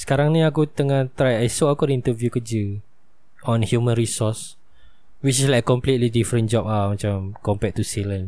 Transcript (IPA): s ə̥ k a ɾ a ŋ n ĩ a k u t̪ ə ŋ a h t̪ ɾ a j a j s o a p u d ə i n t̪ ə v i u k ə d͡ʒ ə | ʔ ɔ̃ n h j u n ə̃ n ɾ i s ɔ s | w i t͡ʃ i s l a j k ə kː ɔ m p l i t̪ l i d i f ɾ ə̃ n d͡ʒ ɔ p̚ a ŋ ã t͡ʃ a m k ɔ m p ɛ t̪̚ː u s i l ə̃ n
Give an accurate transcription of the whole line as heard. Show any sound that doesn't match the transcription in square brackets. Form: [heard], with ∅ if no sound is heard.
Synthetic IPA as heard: s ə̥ k a ɾ a ŋ n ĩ a k u t̪ ə ŋ a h t̪ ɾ a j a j s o a [k] u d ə i n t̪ ə v [j] u k ə d͡ʒ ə | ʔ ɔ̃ n h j u [m] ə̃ n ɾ i s ɔ s | w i t͡ʃ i s l a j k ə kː ɔ m p l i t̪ l i d i f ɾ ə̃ n d͡ʒ ɔ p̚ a [m] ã t͡ʃ a m k ɔ m p ɛ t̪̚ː u s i l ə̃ n